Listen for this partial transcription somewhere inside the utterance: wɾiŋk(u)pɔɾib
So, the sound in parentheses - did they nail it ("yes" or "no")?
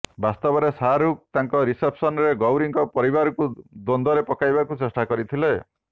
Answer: no